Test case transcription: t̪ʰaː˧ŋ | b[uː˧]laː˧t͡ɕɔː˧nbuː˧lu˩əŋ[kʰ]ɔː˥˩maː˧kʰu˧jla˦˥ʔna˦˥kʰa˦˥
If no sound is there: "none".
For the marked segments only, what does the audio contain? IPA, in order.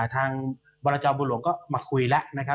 ɔː˧, k

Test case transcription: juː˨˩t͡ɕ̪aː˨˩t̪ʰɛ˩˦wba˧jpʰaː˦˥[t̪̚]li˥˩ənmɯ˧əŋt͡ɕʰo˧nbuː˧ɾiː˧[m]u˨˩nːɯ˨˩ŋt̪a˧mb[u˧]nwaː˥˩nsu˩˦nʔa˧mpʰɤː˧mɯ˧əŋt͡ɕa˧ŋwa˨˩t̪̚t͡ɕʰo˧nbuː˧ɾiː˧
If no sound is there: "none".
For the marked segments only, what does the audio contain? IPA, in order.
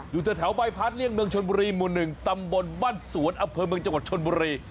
t̪̚, m, o˧

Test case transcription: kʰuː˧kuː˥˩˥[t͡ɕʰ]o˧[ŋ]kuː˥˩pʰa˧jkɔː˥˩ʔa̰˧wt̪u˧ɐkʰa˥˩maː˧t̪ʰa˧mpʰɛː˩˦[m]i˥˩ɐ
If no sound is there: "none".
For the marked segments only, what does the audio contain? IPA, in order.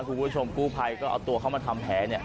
t͡ɕʰ, m, n

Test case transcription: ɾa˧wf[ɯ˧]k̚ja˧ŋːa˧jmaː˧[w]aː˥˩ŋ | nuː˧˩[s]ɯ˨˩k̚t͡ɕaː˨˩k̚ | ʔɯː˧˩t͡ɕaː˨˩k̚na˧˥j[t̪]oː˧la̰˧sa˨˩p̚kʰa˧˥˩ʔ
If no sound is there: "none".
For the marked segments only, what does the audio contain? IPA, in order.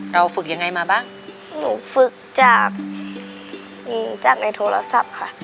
ɯ˨˩, b, f, t̪ʰ

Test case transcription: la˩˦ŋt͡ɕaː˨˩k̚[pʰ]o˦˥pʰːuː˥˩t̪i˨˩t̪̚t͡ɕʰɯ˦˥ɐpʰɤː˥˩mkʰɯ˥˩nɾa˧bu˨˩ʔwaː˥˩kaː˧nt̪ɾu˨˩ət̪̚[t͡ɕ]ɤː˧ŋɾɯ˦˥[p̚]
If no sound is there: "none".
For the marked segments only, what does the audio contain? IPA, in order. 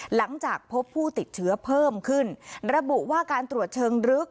pʰ, t͡ɕʰ, k̚

